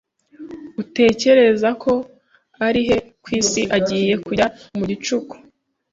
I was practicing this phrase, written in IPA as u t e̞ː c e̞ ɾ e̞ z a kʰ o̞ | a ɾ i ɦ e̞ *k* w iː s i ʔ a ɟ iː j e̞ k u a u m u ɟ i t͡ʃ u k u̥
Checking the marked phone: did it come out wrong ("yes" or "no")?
no